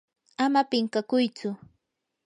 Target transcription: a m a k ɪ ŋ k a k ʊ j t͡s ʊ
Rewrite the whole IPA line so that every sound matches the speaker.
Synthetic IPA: a m a p ɪ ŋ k a k ʊ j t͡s ʊ